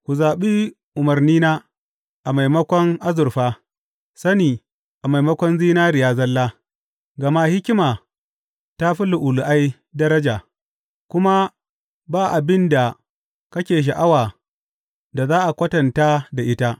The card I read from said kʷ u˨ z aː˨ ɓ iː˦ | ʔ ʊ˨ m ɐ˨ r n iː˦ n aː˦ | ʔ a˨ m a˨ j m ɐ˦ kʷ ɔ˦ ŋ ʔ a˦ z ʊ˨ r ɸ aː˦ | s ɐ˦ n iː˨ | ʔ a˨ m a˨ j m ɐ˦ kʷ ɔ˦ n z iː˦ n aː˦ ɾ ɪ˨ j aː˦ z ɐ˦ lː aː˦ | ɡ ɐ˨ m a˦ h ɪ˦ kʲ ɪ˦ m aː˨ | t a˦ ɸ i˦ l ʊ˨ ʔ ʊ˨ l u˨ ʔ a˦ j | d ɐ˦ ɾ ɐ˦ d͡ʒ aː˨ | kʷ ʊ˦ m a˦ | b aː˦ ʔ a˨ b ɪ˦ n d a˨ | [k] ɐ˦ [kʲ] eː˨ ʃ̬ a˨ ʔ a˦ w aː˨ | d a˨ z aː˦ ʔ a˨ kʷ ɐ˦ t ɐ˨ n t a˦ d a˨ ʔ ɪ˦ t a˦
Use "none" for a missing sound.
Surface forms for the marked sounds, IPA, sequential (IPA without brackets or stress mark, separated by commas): k, kʲ